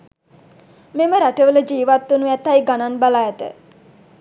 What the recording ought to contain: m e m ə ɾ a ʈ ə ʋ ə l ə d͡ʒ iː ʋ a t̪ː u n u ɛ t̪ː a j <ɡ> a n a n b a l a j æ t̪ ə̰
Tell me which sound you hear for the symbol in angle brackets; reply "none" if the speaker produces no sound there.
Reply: ɡ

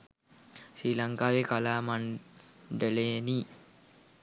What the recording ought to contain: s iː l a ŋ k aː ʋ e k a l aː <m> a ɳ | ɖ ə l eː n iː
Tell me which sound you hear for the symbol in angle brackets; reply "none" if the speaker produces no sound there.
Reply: m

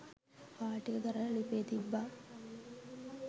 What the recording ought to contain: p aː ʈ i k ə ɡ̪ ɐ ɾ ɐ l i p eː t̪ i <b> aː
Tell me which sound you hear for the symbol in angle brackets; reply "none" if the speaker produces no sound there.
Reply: bː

